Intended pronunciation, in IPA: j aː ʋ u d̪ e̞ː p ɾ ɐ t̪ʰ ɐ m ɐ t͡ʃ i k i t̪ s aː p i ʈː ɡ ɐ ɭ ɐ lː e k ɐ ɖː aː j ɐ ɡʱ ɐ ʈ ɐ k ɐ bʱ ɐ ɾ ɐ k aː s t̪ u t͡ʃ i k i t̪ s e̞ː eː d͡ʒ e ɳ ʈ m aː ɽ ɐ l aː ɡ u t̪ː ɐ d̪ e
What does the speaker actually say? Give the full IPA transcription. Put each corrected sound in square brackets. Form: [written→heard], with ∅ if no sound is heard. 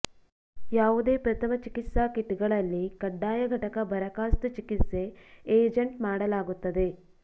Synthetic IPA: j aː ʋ u d̪ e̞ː p ɾ ɐ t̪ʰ ɐ m ɐ t͡ʃ i k i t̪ s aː [p→k] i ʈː ɡ ɐ ɭ ɐ lː [e→i] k ɐ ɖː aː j ɐ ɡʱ ɐ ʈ ɐ k ɐ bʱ ɐ ɾ ɐ k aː s t̪ u t͡ʃ i k i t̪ s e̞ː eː d͡ʒ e ɳ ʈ m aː ɽ ɐ l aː ɡ u t̪ː ɐ d̪ e